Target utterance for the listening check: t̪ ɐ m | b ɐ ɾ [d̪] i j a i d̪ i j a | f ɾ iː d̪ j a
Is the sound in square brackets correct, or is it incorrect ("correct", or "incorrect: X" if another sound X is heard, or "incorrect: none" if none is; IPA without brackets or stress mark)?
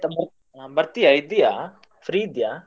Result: incorrect: t̪